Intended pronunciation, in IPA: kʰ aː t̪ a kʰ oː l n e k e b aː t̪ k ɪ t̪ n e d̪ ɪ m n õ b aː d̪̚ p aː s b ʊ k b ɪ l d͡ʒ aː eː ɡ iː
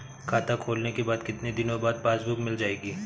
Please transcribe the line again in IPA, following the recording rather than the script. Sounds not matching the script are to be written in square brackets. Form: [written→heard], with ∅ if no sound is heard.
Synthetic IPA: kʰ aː t̪ a kʰ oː l n e k e b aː [t̪→d̪] k ɪ t̪ n e d̪ ɪ [m→∅] n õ b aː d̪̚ p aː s b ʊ k [b→m] ɪ l d͡ʒ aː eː ɡ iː